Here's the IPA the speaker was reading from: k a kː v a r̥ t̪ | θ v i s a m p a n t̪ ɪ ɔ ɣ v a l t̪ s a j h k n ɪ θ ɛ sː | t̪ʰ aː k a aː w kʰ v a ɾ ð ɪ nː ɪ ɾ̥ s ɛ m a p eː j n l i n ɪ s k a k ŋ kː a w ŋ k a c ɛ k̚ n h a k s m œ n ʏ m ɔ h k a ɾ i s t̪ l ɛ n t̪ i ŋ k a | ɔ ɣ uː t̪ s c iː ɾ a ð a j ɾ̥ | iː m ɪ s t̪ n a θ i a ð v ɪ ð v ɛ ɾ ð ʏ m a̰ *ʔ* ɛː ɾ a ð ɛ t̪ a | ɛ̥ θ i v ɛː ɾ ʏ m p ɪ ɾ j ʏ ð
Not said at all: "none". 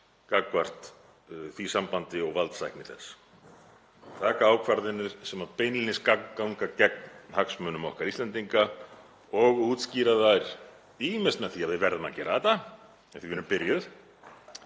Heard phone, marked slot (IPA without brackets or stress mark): c